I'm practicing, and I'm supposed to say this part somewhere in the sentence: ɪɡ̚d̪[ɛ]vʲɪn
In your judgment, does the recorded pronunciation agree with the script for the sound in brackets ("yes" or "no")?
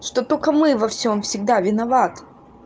no